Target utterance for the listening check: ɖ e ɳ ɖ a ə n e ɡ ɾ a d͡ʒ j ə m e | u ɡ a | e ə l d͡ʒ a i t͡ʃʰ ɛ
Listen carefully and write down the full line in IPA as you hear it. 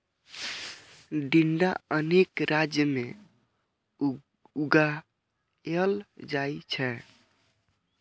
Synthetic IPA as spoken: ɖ i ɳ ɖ a ə n e k ɾ a d͡ʒ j ə m e | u ɡ a | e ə l d͡ʒ a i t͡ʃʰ ɛ